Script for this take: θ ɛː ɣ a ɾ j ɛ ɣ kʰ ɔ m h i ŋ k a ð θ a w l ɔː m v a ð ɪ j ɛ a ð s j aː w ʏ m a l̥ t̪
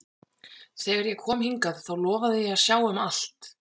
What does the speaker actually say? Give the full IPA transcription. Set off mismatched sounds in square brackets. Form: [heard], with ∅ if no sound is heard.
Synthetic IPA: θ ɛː ɣ a ɾ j ɛ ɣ kʰ [ɔː] m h i ŋ k a ð θ a w l ɔː [∅] v a ð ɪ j ɛ a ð s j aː w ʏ m a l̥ t̪

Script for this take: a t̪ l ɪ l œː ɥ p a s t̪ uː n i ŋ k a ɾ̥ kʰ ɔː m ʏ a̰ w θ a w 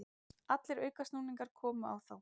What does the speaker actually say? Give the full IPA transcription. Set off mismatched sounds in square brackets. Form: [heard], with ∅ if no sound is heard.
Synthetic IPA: a t̪ l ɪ [ɾ] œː ɥ [k] a s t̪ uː n i ŋ k a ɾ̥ kʰ ɔː m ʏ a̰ w θ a w

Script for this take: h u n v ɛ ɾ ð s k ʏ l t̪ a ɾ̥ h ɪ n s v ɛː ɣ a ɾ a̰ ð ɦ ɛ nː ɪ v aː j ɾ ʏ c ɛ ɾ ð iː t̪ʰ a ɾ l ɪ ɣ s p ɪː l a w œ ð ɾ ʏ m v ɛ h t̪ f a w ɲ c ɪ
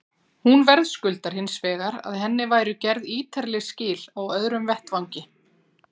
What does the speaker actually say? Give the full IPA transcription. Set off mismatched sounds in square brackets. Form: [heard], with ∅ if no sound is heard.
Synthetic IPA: h u n v ɛ ɾ ð s k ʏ l t̪ a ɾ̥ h ɪ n s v ɛː ɣ a ɾ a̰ ð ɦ ɛ nː ɪ v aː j ɾ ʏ c ɛ ɾ ð iː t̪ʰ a ɾ l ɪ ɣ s [c] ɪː l a w œ ð ɾ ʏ m v ɛ h t̪ [v] a w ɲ c ɪ

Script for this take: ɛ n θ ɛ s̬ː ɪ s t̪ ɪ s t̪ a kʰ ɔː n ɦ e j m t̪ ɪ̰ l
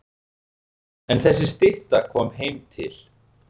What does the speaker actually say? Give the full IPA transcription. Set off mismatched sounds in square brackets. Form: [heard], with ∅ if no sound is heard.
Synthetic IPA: ɛ n θ ɛ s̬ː ɪ s t̪ ɪ [h] t̪ a kʰ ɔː [m] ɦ e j m [t̪ʰ] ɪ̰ l

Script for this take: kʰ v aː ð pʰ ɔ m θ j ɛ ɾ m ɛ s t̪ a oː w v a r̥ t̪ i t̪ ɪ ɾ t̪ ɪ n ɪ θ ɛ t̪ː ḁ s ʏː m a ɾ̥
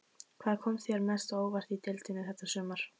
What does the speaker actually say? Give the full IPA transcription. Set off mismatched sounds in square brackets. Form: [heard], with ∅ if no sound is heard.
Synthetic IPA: kʰ v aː ð [kʰ] ɔ m θ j ɛ ɾ m ɛ s t̪ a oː w v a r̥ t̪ i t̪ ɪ [l] t̪ ɪ n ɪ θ ɛ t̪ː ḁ s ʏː m a ɾ̥

